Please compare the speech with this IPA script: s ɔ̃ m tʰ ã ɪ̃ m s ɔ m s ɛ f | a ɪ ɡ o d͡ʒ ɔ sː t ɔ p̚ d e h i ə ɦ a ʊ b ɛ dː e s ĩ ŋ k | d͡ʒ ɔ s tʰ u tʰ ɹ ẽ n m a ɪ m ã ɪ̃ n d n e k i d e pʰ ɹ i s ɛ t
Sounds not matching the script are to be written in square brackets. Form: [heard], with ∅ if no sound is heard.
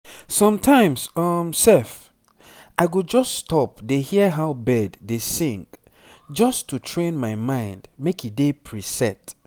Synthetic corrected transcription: s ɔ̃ m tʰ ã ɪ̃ m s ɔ m s ɛ f | a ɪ ɡ o d͡ʒ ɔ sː t ɔ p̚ d e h i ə ɦ a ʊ b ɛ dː e s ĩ ŋ k | d͡ʒ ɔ s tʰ u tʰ ɹ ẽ n m a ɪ m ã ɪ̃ n d [m] e k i d e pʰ ɹ i s ɛ t